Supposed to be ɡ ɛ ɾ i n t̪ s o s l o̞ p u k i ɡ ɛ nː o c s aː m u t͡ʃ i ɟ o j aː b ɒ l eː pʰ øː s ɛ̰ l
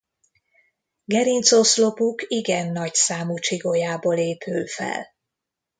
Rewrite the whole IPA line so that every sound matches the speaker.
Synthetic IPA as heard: ɡ ɛ ɾ i n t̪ s o s l o̞ p u k i ɡ ɛ nː ɒ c s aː m u t͡ʃ i ɡ o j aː b o l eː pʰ øː f ɛ̰ l